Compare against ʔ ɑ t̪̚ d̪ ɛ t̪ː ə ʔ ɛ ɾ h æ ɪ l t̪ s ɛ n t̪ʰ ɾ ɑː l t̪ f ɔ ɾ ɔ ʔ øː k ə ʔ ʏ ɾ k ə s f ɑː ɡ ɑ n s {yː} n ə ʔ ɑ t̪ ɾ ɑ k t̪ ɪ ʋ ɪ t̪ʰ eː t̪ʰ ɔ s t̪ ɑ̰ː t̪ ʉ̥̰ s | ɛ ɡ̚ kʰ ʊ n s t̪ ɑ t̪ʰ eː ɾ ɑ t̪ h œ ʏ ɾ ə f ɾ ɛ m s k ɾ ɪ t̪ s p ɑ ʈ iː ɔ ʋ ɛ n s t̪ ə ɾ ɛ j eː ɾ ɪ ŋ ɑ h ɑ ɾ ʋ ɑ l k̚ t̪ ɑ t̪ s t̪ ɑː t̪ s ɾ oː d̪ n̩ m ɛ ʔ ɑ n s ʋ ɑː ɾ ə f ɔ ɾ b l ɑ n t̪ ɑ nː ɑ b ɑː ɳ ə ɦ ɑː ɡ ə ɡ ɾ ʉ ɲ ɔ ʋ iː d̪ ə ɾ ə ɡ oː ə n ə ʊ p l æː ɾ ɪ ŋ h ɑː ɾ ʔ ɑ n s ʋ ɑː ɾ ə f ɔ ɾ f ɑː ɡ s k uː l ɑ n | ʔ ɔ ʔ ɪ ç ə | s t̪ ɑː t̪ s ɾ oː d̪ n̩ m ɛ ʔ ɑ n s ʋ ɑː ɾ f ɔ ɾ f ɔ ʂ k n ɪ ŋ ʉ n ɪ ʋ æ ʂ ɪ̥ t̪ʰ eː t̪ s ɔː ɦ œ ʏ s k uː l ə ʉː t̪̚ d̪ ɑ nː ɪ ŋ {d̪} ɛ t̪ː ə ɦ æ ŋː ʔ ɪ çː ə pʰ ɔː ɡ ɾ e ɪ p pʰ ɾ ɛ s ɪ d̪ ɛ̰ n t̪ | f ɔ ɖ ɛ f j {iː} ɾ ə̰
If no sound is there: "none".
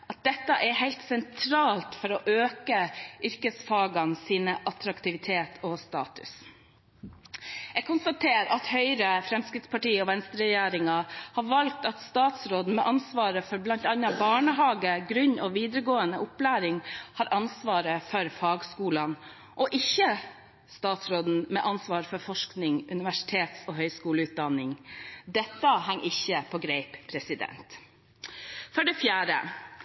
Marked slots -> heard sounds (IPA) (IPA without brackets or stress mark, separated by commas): iː, d̪, æː